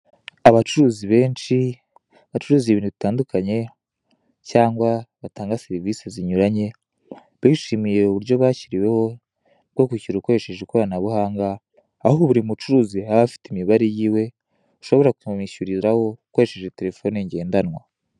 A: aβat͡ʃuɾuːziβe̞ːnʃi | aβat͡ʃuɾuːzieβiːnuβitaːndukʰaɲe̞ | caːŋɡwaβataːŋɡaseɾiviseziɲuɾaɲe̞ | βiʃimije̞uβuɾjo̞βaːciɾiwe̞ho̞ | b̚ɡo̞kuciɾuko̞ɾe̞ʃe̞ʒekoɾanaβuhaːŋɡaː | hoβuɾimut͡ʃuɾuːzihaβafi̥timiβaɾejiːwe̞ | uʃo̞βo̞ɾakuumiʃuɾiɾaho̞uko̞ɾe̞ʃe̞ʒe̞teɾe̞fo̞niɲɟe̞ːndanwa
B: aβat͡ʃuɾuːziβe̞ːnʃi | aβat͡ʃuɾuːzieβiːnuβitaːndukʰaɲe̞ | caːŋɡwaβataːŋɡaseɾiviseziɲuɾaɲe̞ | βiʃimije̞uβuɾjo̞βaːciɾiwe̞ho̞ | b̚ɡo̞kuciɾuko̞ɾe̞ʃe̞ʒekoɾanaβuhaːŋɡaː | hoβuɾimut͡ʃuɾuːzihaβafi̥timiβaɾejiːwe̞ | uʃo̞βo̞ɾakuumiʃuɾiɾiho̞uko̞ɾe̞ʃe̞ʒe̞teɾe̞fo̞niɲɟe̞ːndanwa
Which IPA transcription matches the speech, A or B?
A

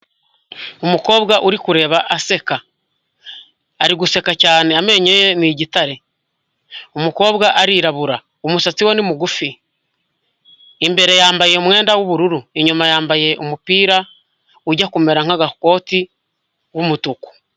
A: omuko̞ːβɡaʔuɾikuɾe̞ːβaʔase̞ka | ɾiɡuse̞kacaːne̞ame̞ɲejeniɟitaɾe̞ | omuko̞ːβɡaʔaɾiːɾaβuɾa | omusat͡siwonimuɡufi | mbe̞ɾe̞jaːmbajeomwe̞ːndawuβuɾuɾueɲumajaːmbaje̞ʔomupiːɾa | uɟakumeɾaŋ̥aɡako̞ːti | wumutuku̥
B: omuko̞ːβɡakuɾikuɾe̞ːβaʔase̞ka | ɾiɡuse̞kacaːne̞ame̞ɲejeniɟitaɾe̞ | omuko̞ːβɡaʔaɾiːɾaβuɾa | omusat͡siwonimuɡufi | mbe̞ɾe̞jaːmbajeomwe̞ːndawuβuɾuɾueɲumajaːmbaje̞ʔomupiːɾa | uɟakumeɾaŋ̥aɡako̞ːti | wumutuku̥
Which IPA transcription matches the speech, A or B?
A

